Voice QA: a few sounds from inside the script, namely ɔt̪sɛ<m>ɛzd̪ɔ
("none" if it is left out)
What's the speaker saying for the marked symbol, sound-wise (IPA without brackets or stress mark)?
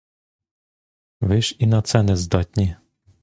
n